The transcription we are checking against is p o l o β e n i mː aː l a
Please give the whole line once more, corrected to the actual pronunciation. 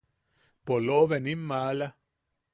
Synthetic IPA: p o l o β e n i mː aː l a